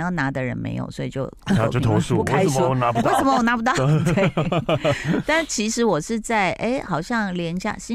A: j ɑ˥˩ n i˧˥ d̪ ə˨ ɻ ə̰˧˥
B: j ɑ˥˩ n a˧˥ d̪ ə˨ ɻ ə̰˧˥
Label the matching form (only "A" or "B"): B